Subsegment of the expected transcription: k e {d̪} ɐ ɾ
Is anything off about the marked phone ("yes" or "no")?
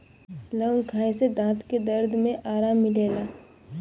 no